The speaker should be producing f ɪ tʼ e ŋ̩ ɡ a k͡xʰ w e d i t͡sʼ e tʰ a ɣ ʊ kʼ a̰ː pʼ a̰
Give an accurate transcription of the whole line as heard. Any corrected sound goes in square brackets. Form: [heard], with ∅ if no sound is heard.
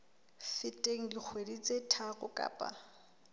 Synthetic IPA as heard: f ɪ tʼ e ŋ̩ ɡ [i] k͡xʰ w e d i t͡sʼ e tʰ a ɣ ʊ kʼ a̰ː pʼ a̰

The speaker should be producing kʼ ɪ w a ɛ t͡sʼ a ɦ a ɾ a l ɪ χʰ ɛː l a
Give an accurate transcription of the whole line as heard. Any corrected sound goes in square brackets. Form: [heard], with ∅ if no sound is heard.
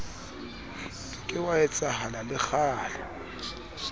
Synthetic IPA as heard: kʼ ɪ w a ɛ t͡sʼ a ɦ a [l] a l ɪ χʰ [aː] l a

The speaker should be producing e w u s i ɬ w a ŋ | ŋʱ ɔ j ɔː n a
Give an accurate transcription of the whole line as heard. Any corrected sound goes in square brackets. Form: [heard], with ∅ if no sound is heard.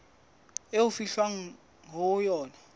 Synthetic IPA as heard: e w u [f] i ɬ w a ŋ | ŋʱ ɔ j ɔː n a

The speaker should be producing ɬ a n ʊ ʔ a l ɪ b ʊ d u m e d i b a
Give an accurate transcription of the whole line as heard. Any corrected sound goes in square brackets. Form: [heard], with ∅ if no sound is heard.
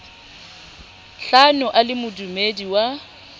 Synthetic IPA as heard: ɬ a n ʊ ʔ a l ɪ [m] ʊ d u m e d i [w] a

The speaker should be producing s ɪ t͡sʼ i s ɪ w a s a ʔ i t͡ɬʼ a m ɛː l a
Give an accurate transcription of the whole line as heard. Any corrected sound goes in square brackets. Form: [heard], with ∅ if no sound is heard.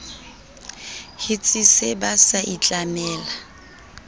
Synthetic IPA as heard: [h] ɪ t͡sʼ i s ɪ [b] a s a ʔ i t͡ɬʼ a m ɛː l a

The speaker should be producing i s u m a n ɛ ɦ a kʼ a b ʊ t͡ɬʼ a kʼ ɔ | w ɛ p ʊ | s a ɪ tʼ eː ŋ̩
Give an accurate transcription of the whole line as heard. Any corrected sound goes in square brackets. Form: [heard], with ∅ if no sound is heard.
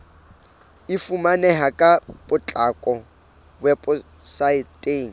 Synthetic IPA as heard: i [f] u m a n ɛ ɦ a kʼ a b ʊ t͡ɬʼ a kʼ ɔ | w ɛ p ʊ | s a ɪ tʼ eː ŋ̩

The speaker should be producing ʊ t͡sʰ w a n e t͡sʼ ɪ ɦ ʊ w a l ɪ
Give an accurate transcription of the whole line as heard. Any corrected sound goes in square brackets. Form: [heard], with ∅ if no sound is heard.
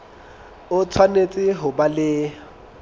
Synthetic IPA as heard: ʊ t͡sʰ w a n e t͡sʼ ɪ ɦ ʊ [b] a l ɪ

